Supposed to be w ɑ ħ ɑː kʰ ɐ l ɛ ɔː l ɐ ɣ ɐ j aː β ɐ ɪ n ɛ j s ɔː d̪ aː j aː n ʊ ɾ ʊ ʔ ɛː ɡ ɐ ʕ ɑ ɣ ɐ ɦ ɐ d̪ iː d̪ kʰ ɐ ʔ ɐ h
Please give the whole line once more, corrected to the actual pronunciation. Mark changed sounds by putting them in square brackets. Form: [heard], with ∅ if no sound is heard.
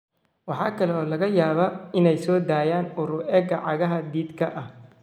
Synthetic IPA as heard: w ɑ ħ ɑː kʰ ɐ l ɛ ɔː l ɐ ɣ ɐ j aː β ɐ ɪ n ɛ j s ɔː d̪ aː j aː n ʊ ɾ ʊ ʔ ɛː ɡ ɐ ʕ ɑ ɣ ɐ ɦ ɐ d̪ iː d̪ kʰ ɐ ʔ ɐ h